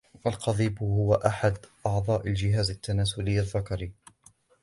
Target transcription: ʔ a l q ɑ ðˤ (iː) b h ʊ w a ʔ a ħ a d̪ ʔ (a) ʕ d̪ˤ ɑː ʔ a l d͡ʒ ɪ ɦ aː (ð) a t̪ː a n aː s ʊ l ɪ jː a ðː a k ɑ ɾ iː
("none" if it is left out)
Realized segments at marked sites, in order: iː, ɑ, z

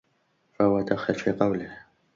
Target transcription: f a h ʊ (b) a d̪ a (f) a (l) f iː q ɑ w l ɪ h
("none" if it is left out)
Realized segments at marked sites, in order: w, x, l

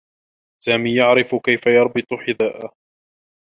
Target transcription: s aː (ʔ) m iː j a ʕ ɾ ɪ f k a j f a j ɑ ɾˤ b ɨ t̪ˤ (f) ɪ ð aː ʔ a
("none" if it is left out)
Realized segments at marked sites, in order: none, ħ

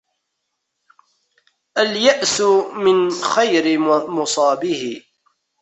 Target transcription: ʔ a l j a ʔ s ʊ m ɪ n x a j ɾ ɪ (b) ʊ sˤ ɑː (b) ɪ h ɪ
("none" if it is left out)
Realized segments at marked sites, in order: m, b

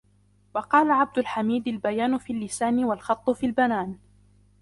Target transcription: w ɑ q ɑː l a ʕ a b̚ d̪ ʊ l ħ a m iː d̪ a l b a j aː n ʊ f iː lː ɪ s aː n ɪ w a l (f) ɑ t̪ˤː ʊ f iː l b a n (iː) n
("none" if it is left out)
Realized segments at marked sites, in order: x, aː

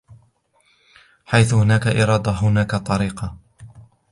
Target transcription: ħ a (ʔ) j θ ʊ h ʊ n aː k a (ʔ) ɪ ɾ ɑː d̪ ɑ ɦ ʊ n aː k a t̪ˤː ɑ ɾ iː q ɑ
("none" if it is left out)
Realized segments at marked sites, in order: none, ʔ

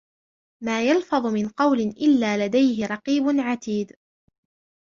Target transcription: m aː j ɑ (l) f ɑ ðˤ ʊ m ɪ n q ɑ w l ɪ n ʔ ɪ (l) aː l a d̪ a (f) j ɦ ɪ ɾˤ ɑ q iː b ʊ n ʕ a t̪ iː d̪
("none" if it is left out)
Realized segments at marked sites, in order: l, lː, none

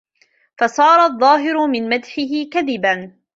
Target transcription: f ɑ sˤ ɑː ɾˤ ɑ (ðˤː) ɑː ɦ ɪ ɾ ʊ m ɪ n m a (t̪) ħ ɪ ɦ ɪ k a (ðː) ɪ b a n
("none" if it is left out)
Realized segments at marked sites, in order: ðˤː, d̪, ð

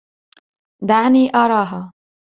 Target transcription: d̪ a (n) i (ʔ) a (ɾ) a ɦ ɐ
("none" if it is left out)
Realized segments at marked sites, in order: n, ʔ, ɾ

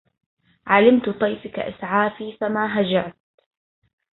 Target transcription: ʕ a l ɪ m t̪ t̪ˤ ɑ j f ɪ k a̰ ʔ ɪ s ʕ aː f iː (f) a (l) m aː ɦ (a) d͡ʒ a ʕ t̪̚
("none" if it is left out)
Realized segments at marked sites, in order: f, none, a

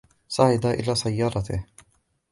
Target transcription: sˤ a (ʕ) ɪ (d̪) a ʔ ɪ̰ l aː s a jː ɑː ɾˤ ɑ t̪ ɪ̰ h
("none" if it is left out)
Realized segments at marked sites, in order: ʕ, d̪

